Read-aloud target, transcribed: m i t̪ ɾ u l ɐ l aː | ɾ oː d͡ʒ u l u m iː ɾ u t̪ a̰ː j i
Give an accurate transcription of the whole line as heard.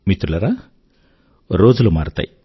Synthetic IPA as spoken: m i t̪ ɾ u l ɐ ɾ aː | ɾ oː d͡ʒ u l u m aː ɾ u t̪ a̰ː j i